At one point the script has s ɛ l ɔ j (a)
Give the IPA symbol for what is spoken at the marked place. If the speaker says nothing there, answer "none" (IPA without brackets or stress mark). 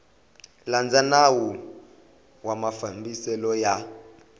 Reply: a